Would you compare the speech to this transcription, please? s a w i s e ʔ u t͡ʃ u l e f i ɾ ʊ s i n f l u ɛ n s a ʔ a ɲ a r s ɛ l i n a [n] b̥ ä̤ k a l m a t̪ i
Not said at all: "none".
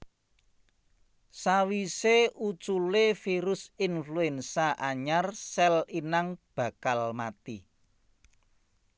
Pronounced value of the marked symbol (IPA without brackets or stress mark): ŋ